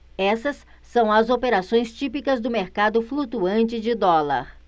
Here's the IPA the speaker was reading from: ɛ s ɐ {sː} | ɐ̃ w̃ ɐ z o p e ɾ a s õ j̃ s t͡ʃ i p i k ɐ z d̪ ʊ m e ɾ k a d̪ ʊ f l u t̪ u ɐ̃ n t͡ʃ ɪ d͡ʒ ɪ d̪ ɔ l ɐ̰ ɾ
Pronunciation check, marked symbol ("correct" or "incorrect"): correct